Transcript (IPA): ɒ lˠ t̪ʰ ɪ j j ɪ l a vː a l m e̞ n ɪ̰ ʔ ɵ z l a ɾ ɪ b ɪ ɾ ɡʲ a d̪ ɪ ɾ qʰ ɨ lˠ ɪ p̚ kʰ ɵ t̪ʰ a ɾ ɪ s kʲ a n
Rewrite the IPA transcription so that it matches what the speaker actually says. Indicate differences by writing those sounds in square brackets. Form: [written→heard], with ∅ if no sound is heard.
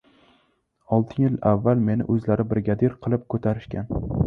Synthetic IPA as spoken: ɒ lˠ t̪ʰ ɪ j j ɪ l a vː a l m e̞ n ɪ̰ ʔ ɵ z l a ɾ ɪ b ɪ ɾ ɡʲ a d̪ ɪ ɾ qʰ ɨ lˠ ɪ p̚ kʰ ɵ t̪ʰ a ɾ ɪ [s→ʃ] kʲ a n